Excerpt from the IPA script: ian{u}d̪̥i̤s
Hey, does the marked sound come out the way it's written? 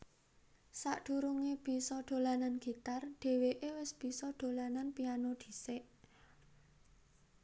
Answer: no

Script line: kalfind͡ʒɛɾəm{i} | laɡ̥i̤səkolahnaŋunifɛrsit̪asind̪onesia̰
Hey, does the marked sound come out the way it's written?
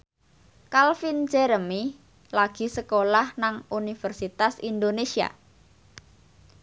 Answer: yes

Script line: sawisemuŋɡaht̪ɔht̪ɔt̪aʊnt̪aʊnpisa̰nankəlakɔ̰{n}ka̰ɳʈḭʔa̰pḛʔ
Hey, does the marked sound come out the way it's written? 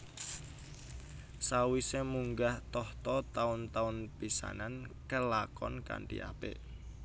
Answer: yes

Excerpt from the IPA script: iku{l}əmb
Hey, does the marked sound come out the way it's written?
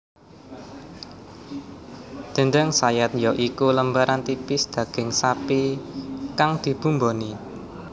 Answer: yes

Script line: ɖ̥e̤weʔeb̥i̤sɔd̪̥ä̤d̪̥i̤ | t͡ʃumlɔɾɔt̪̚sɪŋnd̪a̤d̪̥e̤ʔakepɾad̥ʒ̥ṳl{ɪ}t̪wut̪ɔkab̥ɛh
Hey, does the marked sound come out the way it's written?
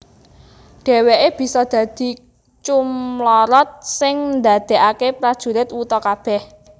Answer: yes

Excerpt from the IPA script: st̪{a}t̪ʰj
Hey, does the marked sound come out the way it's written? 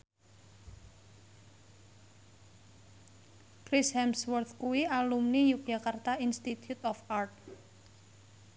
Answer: no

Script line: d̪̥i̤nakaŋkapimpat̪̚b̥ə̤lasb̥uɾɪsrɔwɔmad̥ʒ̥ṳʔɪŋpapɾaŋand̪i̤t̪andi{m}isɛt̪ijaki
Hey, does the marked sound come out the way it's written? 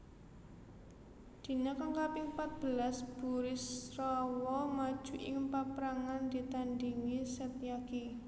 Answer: no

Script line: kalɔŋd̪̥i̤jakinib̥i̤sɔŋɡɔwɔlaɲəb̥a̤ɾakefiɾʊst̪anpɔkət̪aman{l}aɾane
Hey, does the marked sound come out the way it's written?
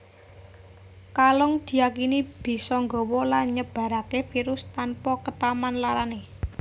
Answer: yes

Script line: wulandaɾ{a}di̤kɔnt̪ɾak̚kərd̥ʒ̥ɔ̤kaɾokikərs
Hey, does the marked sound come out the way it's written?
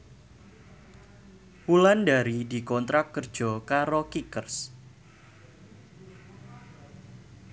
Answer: no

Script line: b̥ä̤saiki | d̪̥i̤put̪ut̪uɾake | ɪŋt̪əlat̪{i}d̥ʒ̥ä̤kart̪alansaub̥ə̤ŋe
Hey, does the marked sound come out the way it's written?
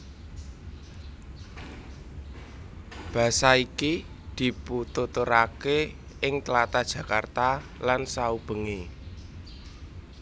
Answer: no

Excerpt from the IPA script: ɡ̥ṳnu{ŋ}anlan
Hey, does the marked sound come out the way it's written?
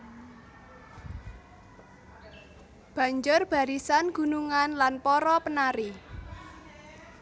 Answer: yes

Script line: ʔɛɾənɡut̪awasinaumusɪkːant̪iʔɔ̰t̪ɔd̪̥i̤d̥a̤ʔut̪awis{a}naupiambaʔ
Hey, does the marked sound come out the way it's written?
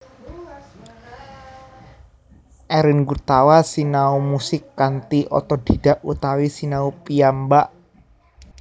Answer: no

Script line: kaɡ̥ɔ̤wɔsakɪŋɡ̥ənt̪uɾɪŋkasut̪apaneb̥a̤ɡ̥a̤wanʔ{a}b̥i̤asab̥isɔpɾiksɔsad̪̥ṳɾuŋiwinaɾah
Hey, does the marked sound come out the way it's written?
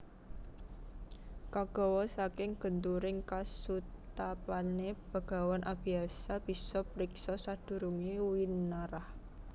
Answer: yes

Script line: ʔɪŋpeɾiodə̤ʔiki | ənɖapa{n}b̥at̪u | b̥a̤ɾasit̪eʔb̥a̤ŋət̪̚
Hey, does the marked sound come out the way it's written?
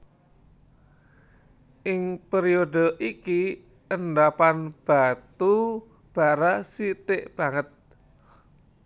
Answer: yes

